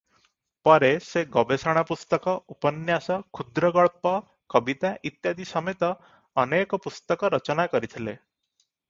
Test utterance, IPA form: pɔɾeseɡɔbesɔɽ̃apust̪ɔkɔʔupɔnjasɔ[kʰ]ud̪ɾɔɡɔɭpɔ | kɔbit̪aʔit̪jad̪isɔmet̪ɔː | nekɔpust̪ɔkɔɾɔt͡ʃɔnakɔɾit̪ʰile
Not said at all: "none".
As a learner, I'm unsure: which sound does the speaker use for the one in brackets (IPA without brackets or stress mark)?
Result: kʰ